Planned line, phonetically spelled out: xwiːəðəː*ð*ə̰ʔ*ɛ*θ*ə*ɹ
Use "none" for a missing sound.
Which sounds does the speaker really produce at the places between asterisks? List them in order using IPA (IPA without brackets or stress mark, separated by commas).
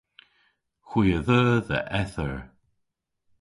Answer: ð, ɛ, ə